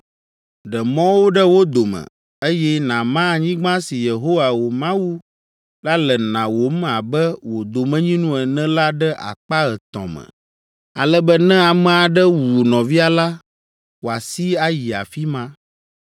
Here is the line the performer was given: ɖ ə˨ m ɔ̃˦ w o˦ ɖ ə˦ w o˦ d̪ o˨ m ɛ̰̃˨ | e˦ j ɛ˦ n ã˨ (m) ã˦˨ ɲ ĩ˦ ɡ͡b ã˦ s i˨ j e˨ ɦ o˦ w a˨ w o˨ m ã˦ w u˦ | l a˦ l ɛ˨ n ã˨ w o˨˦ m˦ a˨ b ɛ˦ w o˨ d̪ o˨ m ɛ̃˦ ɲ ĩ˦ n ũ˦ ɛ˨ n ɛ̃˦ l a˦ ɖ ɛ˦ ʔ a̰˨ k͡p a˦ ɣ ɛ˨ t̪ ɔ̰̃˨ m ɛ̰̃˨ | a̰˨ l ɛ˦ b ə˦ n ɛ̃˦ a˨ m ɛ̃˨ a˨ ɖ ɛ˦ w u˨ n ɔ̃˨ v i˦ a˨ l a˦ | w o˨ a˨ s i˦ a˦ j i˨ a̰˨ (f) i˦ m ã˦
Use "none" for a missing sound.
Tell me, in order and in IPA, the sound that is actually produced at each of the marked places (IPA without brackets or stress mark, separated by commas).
m, f